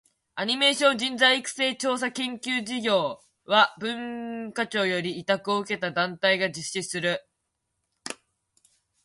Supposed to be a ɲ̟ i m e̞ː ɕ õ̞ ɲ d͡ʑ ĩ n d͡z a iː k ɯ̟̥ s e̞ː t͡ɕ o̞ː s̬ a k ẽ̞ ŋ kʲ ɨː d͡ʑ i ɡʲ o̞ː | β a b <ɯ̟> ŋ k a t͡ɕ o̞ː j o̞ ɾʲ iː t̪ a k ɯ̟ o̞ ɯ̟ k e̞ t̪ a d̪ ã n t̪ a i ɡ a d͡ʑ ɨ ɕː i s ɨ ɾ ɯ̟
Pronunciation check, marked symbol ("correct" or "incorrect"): incorrect